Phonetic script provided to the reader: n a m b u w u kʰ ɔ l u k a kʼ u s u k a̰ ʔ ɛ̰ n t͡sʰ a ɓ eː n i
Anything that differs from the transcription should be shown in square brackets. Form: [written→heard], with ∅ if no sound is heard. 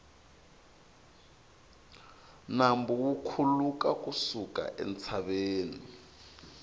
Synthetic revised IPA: n a m b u w u kʰ [ɔ→u] l u k a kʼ u s u k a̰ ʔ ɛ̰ n t͡sʰ a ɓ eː n i